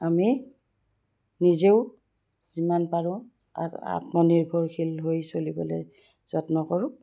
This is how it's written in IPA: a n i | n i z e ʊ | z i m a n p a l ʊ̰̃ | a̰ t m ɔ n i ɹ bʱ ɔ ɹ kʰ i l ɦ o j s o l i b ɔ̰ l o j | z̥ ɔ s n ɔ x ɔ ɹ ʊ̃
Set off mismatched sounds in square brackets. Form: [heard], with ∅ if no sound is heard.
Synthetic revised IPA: a [m] i | n i z e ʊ | z i m a n p a [ɹ] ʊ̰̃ | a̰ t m ɔ n i ɹ bʱ ɔ ɹ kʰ i l ɦ o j s o l i b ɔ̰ l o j | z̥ ɔ [t] n ɔ [k] ɔ ɹ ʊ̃